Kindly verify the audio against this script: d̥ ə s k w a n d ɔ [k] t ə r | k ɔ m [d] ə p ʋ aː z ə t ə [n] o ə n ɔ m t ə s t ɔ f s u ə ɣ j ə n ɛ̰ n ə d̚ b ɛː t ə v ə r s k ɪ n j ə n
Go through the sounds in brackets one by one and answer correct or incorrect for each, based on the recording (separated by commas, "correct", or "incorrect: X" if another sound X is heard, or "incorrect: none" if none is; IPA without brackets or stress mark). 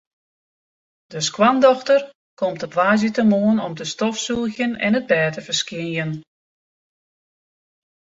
incorrect: x, incorrect: t, incorrect: m